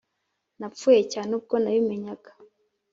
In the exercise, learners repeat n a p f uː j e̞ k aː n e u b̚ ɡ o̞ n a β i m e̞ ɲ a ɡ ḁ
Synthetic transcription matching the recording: n a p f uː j e̞ c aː n e u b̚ ɡ o̞ n a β i m e̞ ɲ a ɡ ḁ